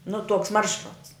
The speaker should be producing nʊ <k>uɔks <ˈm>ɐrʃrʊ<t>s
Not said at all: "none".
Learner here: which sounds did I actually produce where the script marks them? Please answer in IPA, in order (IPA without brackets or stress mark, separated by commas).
t, m, t